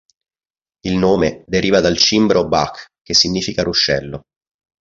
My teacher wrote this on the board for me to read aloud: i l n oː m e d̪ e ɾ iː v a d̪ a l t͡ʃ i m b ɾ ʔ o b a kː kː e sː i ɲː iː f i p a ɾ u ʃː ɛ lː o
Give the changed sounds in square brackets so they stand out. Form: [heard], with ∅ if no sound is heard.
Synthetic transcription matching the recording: i l n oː m e d̪ e ɾ iː v a d̪ a l t͡ʃ i m b ɾ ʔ o b a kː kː e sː i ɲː iː f i [k] a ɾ u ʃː ɛ lː o